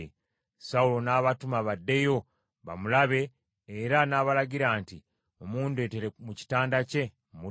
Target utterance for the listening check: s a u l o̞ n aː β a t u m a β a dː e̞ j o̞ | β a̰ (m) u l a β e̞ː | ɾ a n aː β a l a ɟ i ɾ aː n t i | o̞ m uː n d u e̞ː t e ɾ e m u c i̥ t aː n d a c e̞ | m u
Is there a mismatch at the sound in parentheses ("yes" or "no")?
no